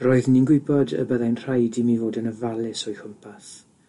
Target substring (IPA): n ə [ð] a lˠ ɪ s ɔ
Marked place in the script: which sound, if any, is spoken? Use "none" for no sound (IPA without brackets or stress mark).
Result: v